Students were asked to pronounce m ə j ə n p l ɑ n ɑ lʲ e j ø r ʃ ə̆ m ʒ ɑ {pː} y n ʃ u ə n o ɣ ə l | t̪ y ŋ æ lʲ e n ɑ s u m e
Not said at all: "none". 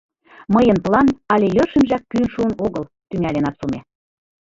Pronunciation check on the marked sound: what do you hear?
kː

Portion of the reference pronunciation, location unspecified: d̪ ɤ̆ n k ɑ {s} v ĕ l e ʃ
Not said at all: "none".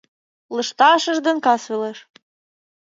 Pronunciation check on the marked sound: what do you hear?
s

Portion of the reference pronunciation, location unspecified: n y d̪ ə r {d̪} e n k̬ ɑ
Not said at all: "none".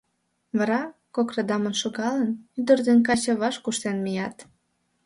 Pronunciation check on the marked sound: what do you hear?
d̪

